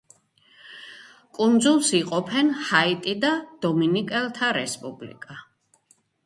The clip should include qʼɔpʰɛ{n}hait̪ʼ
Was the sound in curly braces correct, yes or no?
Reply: yes